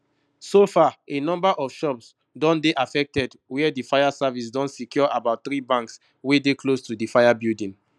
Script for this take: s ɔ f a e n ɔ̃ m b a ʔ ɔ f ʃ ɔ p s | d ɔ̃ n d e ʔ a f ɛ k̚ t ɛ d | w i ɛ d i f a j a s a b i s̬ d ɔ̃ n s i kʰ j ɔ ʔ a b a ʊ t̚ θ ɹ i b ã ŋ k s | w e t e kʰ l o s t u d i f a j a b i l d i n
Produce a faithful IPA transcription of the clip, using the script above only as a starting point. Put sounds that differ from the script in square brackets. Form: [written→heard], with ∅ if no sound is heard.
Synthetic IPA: s [ɔ→o] f a e n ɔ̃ m b a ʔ ɔ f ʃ ɔ p s | d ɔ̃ n d e ʔ a f ɛ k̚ t ɛ d | w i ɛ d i f a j a s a [b→v] i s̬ d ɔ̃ n s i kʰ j ɔ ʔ a b a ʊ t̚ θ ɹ i b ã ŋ k s | w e [t→d] e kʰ l o s t u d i f a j a b i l d [i→ĩ] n

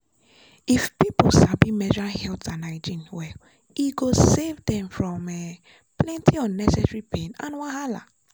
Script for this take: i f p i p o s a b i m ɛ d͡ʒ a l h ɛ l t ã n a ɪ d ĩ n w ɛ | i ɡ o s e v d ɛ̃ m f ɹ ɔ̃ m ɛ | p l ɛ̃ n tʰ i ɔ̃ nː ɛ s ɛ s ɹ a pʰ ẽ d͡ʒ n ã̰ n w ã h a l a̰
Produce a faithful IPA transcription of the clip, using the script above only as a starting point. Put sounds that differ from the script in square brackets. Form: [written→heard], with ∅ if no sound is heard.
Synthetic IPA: i f p i p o s a b i m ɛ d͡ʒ a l h ɛ l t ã n a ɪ [d→d͡ʒ] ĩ n w ɛ | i ɡ o s e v d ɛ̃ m f ɹ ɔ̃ m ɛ | p l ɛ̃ n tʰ i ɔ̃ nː ɛ s ɛ s ɹ [a→i] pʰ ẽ [d͡ʒ→∅] n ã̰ n w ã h a l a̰

